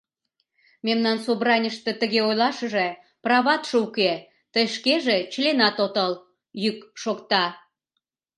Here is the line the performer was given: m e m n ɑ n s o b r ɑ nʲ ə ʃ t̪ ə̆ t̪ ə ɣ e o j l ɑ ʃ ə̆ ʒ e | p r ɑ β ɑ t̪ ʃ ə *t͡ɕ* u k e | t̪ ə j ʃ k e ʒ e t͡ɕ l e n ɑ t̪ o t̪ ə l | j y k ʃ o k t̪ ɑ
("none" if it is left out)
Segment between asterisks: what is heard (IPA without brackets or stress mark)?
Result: none